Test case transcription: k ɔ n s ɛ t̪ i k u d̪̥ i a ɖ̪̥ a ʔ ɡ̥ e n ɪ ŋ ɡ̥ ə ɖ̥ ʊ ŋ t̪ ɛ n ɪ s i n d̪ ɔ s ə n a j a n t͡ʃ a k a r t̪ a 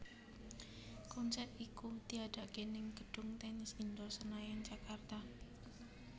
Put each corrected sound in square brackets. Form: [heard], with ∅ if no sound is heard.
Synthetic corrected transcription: k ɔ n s ɛ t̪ i k u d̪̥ i a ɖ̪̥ a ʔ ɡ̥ e n ɪ ŋ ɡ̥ ə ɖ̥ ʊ ŋ t̪ ɛ n ɪ s i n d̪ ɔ s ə n a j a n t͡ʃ a k a r t̪ a